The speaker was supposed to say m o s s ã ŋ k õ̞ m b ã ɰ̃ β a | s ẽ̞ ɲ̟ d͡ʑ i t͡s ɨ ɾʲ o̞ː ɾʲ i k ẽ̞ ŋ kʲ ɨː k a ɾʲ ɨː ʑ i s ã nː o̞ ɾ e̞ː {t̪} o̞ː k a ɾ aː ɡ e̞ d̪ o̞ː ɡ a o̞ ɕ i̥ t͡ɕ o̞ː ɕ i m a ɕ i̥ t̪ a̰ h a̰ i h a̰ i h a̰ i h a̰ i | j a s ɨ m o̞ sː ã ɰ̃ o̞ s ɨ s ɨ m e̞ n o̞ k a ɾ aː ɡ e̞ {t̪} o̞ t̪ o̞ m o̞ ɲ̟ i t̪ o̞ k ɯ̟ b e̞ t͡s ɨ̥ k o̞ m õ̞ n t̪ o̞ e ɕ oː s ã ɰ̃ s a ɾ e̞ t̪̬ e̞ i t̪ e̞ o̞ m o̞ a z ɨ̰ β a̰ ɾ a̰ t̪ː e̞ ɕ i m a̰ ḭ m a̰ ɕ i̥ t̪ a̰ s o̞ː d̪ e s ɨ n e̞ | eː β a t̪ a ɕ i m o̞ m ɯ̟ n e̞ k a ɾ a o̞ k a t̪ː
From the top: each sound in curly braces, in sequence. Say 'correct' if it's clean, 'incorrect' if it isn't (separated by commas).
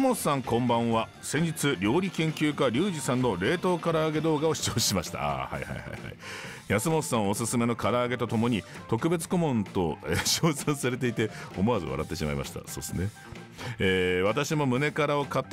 correct, correct